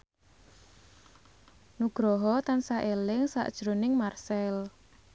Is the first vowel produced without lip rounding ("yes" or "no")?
no